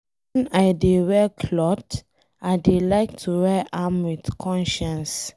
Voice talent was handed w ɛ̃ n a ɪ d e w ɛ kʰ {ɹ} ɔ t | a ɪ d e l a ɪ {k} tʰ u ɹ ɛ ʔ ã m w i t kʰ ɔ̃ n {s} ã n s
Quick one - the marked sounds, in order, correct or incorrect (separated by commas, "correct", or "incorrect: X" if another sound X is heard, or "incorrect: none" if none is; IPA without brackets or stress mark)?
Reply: incorrect: l, correct, incorrect: ʃ